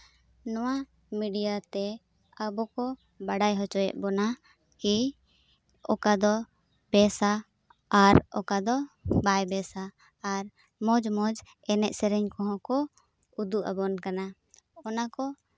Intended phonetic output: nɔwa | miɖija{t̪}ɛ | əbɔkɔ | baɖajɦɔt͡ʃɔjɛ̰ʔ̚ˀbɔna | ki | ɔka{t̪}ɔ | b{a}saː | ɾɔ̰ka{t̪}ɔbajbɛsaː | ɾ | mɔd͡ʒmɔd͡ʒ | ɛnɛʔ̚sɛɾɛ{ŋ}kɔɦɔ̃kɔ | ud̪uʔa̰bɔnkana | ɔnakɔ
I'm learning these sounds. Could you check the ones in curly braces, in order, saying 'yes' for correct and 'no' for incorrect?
yes, no, no, no, no

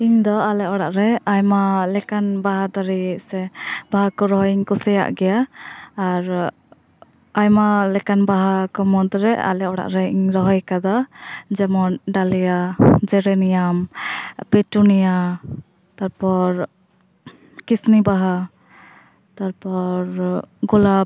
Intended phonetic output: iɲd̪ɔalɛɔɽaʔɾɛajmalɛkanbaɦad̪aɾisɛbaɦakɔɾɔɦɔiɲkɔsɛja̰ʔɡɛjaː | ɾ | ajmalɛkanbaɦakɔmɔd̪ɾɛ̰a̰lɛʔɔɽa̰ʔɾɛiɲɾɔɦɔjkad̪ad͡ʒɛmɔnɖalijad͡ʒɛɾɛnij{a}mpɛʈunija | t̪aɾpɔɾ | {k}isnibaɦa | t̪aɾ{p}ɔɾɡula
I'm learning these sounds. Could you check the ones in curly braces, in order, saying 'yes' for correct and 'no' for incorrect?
yes, yes, yes

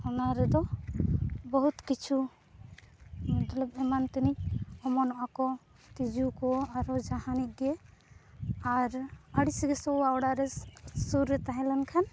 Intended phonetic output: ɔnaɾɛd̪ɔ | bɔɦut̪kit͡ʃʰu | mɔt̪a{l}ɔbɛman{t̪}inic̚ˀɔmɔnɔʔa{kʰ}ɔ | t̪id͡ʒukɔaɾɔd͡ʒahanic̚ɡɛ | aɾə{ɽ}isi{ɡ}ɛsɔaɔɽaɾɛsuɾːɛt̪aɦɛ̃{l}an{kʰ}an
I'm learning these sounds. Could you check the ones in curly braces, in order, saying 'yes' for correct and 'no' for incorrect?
yes, yes, no, yes, yes, yes, yes

